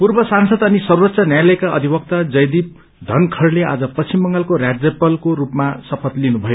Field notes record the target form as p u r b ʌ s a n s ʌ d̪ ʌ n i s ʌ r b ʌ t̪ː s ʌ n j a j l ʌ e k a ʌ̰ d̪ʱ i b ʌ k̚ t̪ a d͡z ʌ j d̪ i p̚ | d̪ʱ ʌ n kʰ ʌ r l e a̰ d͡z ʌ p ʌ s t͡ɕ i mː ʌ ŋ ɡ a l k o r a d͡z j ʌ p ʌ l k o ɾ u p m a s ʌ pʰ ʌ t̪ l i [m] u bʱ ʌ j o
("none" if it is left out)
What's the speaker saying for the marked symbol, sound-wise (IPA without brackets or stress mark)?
n